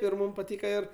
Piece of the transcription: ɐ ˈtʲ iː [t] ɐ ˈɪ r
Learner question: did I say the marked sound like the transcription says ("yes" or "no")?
no